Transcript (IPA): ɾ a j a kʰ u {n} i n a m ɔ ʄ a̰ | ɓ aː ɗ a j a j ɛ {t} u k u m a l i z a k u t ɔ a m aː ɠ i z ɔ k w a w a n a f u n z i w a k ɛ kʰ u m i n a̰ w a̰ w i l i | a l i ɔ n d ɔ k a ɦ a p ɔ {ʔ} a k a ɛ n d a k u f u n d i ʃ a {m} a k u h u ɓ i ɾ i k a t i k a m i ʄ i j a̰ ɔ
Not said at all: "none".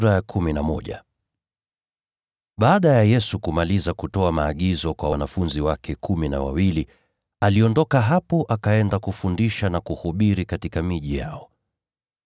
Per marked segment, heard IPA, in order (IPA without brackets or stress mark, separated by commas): m, s, ʔ, n